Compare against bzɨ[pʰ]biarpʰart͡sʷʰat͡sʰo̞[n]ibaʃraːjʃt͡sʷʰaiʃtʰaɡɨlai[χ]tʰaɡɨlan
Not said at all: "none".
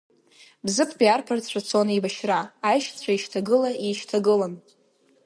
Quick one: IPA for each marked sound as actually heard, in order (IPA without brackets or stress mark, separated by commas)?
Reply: pʰ, n, ʃ